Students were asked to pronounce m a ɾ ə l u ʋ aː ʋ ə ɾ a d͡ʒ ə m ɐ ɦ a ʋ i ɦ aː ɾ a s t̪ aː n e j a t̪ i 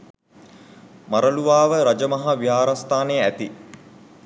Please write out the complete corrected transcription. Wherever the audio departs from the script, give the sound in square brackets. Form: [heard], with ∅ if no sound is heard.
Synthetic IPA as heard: m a ɾ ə l u ʋ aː ʋ ə ɾ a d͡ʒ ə m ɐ ɦ a ʋ i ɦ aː ɾ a s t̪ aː n e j [æ] t̪ i